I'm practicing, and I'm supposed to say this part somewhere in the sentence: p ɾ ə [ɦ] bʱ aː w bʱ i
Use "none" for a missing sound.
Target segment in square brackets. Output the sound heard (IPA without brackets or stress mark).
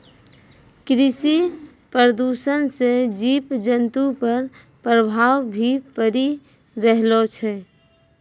none